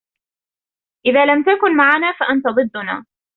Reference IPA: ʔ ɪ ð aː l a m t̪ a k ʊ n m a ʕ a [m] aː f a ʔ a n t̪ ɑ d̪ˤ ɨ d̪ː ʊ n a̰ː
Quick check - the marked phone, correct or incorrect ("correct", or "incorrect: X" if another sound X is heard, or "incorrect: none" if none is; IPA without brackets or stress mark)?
incorrect: n